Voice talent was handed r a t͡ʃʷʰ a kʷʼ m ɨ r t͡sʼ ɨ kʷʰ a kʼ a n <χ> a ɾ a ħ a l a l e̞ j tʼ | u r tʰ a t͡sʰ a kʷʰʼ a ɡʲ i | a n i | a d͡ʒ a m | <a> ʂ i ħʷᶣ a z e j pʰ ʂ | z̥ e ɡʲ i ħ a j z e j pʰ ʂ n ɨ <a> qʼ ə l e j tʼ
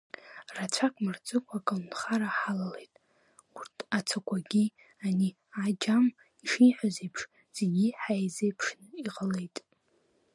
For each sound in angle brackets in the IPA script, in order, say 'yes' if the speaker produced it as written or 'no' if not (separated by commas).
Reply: yes, no, no